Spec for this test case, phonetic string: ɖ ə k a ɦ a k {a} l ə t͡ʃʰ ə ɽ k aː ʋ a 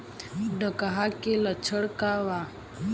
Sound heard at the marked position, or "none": e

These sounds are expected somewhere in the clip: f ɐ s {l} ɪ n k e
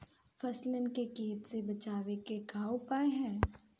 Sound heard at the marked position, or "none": l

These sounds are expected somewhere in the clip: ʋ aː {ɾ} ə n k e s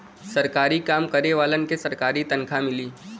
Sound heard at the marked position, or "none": l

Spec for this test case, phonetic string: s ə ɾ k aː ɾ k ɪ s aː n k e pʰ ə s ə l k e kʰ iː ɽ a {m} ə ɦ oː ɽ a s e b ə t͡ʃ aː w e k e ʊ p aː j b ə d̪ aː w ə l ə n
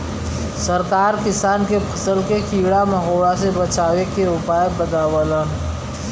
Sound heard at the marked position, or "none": m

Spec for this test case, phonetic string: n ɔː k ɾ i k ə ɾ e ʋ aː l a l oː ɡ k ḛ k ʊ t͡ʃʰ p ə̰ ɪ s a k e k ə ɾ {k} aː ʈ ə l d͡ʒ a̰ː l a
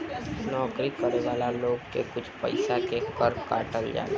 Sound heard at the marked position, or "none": k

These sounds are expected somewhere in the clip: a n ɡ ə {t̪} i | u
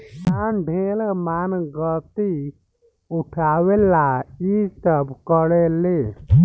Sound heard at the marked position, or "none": t̪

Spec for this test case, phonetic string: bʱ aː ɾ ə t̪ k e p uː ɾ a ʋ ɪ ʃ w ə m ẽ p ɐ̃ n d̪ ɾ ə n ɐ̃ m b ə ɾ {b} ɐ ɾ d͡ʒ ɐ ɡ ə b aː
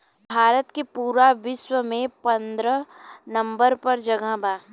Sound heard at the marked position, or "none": p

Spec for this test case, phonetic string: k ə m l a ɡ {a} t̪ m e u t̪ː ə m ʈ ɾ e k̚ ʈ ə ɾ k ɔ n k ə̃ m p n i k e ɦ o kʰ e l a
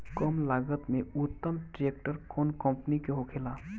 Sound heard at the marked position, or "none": ə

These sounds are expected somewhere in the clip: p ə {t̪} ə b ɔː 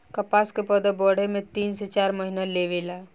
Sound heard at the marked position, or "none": d̪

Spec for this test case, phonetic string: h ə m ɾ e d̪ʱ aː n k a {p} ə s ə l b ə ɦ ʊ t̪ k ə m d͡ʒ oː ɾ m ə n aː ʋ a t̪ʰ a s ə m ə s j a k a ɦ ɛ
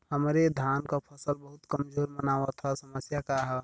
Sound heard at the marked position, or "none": pʰ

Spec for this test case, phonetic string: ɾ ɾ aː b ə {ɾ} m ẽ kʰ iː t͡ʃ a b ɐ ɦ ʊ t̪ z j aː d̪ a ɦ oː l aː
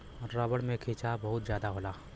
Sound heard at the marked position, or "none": ɽ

